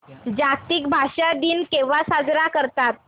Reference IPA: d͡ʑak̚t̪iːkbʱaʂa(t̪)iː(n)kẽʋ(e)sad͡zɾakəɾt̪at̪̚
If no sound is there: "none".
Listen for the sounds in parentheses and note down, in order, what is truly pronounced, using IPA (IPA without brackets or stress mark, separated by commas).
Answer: d̪, n, a